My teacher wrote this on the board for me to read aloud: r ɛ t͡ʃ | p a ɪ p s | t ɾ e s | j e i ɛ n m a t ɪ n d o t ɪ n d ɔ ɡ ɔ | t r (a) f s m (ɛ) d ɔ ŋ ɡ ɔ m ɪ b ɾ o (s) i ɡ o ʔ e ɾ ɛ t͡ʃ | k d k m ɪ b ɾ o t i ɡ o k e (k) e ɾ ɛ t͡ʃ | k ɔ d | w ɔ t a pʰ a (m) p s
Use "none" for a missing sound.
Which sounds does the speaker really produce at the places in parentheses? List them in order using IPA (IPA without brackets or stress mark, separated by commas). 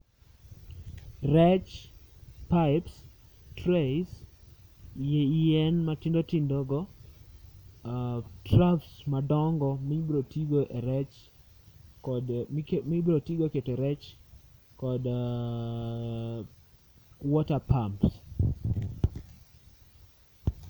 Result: a, a, t, t, m